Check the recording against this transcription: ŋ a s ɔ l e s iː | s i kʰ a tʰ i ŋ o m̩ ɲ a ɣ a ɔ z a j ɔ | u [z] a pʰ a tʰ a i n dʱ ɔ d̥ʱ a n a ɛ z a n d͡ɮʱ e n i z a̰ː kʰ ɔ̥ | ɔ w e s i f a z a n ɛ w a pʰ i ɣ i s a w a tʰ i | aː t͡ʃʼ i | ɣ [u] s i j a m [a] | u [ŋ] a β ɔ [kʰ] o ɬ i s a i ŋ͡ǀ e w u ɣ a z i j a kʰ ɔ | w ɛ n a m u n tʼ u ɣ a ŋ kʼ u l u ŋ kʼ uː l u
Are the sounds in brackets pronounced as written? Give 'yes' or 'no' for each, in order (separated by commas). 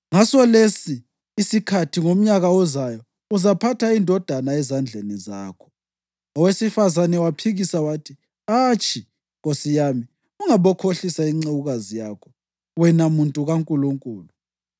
yes, no, no, yes, yes